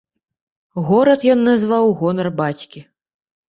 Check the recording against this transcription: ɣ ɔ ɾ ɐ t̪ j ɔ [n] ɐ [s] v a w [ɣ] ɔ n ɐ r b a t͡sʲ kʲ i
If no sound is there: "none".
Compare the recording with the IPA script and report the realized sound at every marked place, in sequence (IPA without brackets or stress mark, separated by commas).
nː, z, ɣ